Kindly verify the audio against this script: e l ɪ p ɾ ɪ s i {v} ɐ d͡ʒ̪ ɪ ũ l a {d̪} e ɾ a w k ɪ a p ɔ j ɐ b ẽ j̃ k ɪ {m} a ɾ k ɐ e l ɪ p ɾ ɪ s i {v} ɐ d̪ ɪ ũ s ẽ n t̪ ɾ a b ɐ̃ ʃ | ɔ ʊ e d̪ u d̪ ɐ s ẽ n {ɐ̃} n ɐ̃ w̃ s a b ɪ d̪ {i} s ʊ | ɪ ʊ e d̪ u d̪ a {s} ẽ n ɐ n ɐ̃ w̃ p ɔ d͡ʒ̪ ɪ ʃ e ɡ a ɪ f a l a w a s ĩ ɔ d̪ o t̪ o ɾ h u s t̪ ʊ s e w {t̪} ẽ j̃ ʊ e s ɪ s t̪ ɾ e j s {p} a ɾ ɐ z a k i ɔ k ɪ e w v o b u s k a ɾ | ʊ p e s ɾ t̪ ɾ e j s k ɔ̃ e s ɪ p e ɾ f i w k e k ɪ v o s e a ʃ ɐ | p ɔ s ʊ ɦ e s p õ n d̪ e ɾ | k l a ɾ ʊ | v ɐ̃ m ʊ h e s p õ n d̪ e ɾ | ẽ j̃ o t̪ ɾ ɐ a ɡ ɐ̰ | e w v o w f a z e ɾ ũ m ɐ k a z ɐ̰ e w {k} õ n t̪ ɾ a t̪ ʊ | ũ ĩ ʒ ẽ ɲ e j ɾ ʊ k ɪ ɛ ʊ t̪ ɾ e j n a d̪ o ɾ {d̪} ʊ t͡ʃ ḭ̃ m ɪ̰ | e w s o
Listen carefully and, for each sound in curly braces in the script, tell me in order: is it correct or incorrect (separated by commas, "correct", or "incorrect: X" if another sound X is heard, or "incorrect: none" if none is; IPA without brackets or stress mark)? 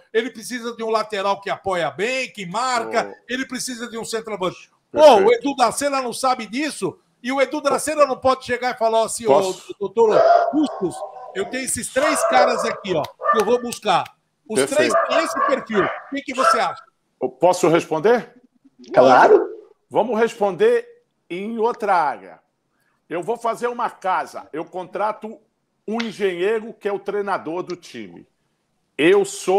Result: incorrect: z, incorrect: t̪, correct, incorrect: z, incorrect: ɐ, correct, correct, correct, incorrect: k, correct, correct